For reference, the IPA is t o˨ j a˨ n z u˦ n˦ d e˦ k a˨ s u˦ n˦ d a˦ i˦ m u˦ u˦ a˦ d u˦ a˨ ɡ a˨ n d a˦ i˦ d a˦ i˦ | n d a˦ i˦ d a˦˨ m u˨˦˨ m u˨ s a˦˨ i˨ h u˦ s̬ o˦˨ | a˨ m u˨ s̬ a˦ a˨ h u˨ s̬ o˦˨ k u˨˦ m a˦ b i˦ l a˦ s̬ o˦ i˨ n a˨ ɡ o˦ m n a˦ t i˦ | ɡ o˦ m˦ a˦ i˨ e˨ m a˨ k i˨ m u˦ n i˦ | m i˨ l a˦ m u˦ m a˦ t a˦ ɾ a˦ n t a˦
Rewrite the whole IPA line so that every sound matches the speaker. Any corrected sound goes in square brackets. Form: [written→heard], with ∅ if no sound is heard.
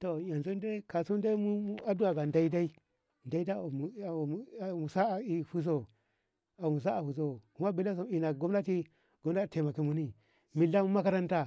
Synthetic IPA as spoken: t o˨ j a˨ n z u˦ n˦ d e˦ k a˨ s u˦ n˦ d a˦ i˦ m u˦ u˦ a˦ d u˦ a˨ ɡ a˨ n d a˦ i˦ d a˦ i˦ | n d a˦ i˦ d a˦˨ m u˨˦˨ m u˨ s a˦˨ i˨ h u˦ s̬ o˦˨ | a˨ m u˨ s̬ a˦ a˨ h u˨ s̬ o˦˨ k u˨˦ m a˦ b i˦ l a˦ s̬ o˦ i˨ n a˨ ɡ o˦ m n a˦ t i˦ | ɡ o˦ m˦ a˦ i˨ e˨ m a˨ k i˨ m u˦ n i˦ | m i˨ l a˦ m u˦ m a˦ [t→k] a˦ ɾ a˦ n t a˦

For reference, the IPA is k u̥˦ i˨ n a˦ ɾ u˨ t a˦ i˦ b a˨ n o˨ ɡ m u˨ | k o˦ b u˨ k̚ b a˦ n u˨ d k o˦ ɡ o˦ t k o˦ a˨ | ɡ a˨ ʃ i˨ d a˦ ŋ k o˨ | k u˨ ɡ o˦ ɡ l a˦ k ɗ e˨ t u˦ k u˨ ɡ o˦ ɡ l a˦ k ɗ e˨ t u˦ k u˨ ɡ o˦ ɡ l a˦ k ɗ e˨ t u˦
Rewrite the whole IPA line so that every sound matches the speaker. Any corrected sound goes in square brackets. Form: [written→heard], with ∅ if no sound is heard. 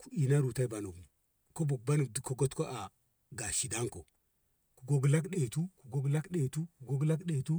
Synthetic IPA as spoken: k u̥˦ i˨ n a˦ ɾ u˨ t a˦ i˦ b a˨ n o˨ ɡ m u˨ | k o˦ b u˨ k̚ b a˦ n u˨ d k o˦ ɡ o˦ t k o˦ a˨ | ɡ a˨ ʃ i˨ d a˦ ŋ k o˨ | k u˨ ɡ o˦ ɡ l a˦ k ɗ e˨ t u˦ k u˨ ɡ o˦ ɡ l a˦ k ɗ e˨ t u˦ k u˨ ɡ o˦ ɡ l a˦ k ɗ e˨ t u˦

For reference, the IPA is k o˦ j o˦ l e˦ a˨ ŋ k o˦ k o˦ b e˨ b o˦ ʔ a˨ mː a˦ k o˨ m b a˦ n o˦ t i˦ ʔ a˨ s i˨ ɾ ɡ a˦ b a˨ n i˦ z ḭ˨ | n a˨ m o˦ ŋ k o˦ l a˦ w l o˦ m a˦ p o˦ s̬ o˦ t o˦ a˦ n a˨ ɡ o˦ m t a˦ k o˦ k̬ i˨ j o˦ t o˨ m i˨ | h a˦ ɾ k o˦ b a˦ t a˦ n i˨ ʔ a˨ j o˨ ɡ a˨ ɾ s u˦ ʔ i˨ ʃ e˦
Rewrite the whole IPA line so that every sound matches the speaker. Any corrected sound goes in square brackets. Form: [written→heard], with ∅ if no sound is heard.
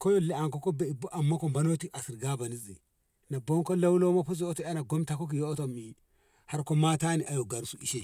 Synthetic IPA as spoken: k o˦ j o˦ l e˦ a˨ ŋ k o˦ k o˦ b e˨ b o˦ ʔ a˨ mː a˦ k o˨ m b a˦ n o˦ t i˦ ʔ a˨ s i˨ ɾ ɡ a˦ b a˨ n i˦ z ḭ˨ | n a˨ [m→b] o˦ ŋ k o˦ l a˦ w l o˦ m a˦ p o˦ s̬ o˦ t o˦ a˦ n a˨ ɡ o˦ m t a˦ k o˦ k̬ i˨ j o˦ t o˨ m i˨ | h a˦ ɾ k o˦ [b→m] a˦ t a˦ n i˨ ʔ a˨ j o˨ ɡ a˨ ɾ s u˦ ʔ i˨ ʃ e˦

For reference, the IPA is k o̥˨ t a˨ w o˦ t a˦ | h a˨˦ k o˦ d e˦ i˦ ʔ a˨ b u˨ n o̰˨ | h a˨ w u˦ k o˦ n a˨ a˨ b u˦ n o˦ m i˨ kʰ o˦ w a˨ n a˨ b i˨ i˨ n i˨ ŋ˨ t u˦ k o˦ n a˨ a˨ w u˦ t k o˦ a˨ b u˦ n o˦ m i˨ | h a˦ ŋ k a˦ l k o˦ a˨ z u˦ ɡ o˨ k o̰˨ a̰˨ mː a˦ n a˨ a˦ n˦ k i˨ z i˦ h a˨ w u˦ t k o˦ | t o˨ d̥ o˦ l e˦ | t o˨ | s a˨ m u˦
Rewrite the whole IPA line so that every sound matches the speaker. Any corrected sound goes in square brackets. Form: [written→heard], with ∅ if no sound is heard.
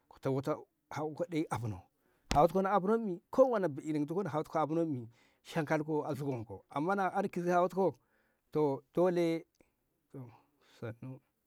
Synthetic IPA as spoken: k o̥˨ t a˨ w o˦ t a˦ | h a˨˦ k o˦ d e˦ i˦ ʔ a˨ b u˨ n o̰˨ | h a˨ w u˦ k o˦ n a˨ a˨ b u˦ n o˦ m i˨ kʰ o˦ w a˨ n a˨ b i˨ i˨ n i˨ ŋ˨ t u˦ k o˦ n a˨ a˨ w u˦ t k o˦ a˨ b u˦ n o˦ m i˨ | [h→ʃ] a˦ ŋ k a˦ l k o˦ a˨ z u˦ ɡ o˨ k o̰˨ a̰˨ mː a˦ n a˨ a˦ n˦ k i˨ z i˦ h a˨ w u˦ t k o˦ | t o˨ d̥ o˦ l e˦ | t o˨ | s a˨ [m→n] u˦

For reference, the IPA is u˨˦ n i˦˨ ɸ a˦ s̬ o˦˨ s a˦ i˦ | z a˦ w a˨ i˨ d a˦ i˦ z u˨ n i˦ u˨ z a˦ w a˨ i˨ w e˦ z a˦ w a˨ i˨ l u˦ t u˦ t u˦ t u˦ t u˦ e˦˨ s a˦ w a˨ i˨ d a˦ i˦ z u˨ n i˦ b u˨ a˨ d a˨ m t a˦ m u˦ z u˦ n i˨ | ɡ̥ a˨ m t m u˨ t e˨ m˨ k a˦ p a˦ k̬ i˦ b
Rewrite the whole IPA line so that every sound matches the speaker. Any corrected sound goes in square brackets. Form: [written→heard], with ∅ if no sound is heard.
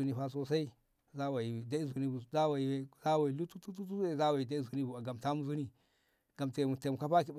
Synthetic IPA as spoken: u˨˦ n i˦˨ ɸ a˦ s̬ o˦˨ s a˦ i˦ | z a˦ w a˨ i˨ d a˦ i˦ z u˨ n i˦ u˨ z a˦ w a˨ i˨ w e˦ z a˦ w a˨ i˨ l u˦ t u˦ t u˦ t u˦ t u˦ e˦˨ [s→z] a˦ w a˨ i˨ d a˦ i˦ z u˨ n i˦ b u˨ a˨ [d→ɡ] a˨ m t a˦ m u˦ z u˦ n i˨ | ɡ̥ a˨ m t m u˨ t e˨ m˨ k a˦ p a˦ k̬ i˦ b

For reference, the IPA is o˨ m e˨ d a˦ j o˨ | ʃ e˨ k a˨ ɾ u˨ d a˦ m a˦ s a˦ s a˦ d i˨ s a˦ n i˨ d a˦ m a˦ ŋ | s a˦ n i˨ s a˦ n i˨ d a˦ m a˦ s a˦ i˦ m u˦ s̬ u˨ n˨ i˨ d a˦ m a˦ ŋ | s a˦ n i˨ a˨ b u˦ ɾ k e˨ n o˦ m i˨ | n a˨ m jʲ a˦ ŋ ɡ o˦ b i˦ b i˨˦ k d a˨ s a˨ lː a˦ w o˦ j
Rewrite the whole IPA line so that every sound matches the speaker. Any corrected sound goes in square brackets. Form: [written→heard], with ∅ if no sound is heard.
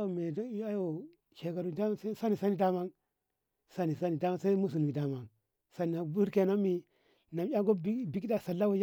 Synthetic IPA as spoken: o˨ m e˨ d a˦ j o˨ | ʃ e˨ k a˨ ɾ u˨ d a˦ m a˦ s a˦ s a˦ [d→n] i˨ s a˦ n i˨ d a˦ m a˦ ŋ | s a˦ n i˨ s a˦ n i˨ d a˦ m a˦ s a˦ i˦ m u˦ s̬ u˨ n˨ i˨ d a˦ m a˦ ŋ | s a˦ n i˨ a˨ b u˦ ɾ k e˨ n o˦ m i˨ | n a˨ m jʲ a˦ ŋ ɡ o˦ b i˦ b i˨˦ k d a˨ s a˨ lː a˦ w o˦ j

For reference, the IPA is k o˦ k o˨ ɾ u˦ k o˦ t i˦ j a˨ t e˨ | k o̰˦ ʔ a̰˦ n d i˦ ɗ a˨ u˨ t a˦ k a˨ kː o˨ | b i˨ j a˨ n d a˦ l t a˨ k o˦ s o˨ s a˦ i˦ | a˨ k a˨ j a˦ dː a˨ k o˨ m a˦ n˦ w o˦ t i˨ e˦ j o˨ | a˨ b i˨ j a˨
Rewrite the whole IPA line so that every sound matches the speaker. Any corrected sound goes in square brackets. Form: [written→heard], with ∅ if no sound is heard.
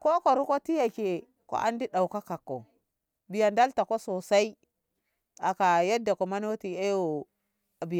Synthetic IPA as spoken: k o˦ k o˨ ɾ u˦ k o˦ t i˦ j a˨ [t→k] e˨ | k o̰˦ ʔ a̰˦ n d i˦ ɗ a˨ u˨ [t→k] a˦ k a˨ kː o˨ | b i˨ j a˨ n d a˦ l t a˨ k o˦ s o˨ s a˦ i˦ | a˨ k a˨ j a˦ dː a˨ k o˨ m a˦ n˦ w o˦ t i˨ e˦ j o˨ | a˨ b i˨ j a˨

